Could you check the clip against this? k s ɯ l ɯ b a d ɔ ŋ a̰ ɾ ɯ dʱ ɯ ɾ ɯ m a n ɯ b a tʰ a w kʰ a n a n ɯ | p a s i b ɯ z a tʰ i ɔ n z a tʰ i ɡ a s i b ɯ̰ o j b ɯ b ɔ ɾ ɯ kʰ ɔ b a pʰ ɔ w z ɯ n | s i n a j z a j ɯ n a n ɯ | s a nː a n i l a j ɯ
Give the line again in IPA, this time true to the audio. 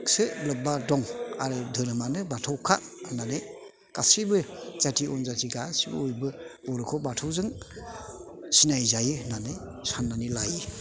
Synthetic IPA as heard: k s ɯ l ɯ b a d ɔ ŋ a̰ ɾ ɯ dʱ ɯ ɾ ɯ m a n ɯ b a tʰ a w kʰ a n a n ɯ | k a s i b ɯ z a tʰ i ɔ n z a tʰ i ɡ a s i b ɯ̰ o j b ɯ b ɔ ɾ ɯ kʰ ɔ b a tʰ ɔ w z ɯ ŋ | s i n a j z a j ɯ n a n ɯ | s a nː a n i l a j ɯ

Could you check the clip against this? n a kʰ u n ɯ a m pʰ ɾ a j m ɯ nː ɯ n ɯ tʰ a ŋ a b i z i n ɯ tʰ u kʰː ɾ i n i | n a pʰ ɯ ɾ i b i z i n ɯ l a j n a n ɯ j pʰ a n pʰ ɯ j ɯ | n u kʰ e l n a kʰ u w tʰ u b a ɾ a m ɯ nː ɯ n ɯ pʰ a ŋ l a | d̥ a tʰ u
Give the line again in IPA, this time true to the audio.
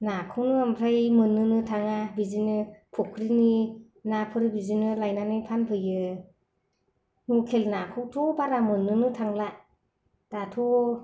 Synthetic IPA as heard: n a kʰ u n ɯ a m pʰ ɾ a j m ɯ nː ɯ n ɯ tʰ a ŋ a b i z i n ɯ pʰ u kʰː ɾ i n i | n a pʰ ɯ ɾ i b i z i n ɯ l a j n a n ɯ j pʰ a n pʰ ɯ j ɯ | n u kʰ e l n a kʰ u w tʰ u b a ɾ a m ɯ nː ɯ n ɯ tʰ a ŋ l a | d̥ a tʰ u

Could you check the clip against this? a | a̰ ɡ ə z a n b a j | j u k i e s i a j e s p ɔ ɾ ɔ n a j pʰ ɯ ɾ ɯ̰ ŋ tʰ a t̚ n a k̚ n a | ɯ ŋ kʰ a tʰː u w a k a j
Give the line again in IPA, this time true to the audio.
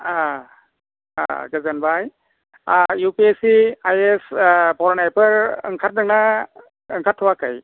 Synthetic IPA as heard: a | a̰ ɡ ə z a n b a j | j u p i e s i a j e s p ɔ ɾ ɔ n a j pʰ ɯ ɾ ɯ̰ ŋ kʰ a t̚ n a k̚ n a | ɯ ŋ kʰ a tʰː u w a k a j

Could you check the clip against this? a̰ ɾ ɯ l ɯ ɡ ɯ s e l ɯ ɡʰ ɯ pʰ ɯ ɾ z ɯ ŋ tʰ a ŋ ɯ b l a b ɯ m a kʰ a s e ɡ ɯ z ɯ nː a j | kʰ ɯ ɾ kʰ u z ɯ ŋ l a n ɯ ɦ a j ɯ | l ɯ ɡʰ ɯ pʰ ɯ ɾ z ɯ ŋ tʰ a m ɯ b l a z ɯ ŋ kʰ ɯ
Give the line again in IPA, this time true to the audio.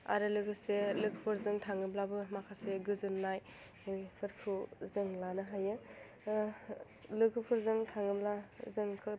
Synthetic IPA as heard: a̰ ɾ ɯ l ɯ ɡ ɯ s e l ɯ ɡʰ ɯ pʰ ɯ ɾ z ɯ ŋ tʰ a ŋ ɯ b l a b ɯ m a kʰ a s e ɡ ɯ z ɯ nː a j | pʰ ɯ ɾ kʰ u z ɯ ŋ l a n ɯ ɦ a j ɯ | l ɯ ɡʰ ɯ pʰ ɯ ɾ z ɯ ŋ tʰ a ŋ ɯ b l a z ɯ ŋ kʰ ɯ

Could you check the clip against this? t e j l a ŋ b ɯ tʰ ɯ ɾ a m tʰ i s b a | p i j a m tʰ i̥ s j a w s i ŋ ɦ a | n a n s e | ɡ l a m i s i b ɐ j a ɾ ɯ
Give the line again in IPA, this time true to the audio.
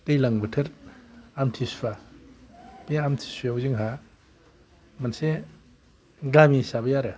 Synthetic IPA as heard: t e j l a ŋ b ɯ tʰ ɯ ɾ a m tʰ i s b a | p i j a m tʰ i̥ s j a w z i ŋ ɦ a | m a n s e | ɡ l a m i s a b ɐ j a ɾ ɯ

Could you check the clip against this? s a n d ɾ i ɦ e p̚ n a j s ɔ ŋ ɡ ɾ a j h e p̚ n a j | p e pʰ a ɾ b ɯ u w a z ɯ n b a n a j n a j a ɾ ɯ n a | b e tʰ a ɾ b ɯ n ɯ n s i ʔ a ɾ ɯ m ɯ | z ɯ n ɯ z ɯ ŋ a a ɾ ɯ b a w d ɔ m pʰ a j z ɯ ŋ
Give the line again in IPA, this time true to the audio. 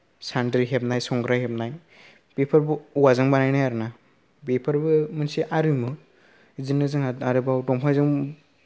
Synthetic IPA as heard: s a n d ɾ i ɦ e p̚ n a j s ɔ ŋ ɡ ɾ a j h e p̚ n a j | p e pʰ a ɾ b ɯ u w a z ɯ ŋ b a n a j n a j a ɾ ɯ n a | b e pʰ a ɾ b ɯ m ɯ n s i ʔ a ɾ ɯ m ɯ | z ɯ n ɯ z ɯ ŋ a a ɾ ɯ b a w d ɔ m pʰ a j z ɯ ŋ

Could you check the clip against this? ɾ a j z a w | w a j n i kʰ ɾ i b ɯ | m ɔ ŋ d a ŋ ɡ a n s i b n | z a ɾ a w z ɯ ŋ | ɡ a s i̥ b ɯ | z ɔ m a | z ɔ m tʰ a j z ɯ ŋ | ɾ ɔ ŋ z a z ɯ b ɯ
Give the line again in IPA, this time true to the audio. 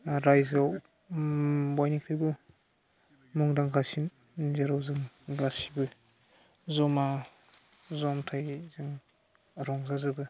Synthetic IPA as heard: ɾ a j z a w | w a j n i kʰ ɾ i b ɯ | m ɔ ŋ d a ŋ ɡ a s i n | z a ɾ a w z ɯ ŋ | ɡ a s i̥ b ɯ | z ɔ m a | z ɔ m tʰ a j z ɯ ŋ | ɾ ɔ ŋ z a z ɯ b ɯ

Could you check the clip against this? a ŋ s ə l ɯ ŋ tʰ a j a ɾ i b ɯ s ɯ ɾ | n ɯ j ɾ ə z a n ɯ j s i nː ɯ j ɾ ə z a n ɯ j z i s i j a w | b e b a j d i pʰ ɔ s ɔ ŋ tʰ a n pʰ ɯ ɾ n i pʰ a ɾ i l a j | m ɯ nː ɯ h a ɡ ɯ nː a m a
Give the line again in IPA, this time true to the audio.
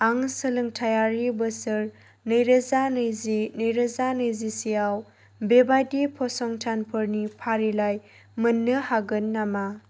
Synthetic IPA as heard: a ŋ s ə l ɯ ŋ tʰ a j a ɾ i b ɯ s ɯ ɾ | n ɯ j ɾ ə z a n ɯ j z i n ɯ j ɾ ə z a n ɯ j z i s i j a w | b e b a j d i pʰ ɔ s ɔ ŋ tʰ a n pʰ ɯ ɾ n i pʰ a ɾ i l a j | m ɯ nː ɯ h a ɡ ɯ nː a m a

